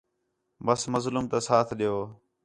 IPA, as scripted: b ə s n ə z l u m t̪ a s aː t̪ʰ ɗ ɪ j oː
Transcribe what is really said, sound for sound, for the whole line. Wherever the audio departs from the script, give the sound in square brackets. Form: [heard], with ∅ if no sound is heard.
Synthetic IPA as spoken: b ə s [m] ə z l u m t̪ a s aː t̪ʰ ɗ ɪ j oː

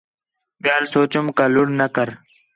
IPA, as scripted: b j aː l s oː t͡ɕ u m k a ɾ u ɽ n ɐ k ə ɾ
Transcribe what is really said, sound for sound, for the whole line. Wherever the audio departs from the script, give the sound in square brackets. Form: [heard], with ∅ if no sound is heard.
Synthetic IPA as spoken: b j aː l s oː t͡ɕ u m k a [l] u ɽ n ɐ k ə ɾ

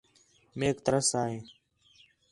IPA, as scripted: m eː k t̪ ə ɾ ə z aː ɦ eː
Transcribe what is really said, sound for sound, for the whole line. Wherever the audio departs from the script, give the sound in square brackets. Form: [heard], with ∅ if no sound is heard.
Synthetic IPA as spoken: m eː k t̪ ə ɾ ə [s] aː ɦ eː

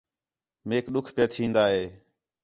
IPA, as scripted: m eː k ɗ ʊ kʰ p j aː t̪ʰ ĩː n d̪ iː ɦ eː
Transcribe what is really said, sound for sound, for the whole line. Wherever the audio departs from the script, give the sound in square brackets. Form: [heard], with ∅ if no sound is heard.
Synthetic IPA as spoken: m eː k ɗ ʊ kʰ p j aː t̪ʰ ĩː n d̪ [aː] ɦ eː

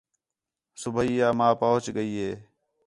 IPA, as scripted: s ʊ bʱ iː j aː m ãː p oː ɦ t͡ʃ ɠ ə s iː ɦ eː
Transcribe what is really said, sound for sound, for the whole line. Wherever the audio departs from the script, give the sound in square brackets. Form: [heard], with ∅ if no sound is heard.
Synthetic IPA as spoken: s ʊ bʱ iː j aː m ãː p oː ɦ t͡ʃ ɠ ə [∅] iː ɦ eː

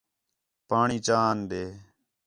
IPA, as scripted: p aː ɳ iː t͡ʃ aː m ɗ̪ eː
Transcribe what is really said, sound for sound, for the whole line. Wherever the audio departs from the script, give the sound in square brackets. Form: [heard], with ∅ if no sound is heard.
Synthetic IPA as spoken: p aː ɳ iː t͡ʃ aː [n] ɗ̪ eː

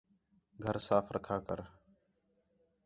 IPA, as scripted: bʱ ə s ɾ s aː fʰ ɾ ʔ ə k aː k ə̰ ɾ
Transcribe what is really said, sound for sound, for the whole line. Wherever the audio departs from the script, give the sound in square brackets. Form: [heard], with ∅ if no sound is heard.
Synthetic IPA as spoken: [ɡʱ] ə [∅] ɾ s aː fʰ ɾ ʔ ə [kʰ] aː k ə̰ ɾ

